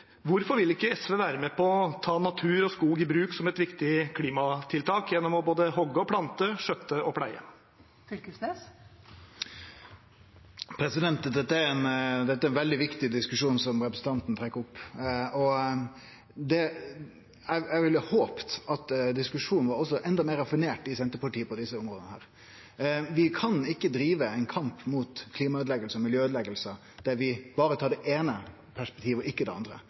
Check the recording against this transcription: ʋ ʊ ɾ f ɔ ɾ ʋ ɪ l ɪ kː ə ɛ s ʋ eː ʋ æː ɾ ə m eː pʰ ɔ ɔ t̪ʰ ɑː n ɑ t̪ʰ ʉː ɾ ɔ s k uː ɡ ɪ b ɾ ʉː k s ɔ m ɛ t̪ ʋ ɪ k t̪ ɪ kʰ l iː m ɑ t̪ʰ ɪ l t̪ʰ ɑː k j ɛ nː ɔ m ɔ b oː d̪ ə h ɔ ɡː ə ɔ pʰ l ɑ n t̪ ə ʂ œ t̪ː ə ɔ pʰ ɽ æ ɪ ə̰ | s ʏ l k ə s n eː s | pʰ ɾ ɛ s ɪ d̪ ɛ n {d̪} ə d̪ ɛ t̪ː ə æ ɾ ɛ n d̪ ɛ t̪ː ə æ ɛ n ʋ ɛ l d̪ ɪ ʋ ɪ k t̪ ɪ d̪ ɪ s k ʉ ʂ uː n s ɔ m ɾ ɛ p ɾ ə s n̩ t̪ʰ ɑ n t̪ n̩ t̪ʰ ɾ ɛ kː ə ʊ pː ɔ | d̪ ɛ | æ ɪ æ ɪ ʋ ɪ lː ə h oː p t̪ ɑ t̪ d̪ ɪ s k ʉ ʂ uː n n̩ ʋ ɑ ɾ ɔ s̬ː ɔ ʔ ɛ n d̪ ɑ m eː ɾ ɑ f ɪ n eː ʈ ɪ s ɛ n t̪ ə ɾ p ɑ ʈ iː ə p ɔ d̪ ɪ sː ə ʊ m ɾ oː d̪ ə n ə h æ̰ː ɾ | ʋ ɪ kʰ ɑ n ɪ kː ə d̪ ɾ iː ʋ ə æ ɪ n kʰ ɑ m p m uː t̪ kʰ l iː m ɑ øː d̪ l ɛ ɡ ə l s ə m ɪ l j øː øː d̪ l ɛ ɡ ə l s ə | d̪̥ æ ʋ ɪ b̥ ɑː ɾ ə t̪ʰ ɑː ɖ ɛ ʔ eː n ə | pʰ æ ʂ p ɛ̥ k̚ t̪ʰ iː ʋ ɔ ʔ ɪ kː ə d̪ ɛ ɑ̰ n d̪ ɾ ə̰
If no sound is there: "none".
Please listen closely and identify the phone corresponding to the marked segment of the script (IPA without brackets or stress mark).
t̪